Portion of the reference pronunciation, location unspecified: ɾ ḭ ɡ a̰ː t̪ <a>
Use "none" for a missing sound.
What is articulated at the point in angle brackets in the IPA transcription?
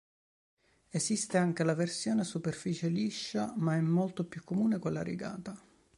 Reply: a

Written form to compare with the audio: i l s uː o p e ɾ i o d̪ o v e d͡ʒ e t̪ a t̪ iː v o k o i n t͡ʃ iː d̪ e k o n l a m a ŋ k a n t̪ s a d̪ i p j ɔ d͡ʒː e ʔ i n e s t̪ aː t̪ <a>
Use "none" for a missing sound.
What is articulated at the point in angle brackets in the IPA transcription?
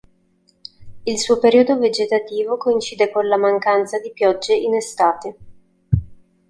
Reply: e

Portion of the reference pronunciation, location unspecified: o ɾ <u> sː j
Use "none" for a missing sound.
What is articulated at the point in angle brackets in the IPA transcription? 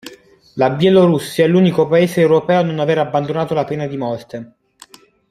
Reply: u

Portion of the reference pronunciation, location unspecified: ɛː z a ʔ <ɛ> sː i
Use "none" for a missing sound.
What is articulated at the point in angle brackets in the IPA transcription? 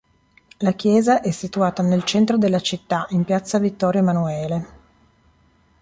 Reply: ɛ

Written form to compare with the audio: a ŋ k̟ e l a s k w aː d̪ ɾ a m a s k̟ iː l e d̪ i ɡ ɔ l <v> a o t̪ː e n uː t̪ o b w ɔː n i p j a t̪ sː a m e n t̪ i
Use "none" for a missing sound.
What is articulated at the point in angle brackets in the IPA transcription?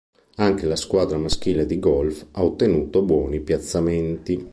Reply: f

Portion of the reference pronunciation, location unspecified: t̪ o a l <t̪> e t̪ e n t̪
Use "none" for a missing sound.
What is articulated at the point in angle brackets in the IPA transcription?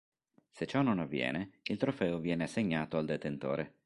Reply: d̪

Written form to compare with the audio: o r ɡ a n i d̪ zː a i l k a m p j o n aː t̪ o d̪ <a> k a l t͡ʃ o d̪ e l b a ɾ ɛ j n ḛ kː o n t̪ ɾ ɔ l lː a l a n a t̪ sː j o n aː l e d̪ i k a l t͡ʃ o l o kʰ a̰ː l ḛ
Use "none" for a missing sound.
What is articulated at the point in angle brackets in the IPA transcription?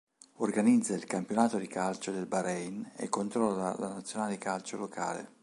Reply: i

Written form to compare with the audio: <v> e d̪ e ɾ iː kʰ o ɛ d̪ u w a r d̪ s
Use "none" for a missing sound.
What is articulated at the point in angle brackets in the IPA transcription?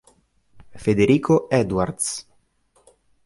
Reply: f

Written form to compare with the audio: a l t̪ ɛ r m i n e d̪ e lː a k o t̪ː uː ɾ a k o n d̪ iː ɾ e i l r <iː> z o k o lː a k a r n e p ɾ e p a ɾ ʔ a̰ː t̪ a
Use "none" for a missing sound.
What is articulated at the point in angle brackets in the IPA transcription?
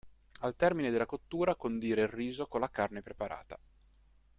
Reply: iː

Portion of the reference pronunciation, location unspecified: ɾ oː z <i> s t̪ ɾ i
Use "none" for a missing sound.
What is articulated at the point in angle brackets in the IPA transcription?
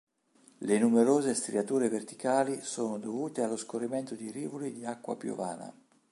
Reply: e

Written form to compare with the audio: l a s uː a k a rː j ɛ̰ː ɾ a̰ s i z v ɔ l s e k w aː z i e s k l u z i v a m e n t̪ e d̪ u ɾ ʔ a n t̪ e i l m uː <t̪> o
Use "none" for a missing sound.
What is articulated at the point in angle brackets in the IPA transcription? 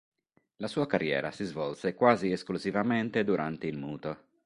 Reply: t̪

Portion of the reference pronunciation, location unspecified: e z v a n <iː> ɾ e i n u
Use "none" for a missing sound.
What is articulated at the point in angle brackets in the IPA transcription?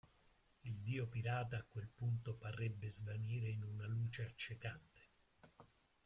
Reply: iː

